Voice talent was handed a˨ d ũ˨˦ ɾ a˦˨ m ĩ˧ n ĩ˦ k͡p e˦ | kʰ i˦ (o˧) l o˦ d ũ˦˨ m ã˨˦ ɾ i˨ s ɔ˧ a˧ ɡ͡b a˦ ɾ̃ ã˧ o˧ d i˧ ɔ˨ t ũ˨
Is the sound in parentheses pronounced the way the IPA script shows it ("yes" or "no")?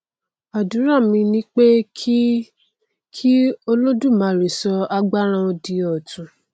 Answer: yes